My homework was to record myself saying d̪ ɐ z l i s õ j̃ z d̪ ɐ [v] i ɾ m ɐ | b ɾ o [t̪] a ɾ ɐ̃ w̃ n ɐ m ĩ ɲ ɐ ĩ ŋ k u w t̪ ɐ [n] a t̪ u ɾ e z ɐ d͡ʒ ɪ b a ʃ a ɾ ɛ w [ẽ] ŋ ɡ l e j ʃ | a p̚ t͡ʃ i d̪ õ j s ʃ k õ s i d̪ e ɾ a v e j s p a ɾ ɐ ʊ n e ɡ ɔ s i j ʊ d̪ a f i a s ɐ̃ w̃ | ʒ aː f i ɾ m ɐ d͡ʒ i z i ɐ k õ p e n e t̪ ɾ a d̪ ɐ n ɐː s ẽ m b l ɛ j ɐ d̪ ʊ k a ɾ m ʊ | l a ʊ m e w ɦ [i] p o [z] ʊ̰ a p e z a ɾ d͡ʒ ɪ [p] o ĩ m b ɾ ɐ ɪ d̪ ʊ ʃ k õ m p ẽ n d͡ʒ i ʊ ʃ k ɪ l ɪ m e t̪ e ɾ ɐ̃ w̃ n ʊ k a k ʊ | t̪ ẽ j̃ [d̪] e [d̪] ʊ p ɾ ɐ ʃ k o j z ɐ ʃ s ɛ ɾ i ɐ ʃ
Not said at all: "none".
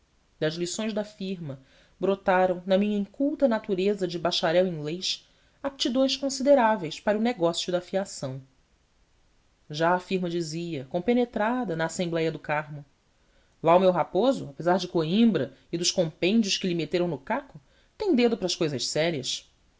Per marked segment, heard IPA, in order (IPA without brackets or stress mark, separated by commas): f, t̪, n, ĩ, a, z, k, d̪, d̪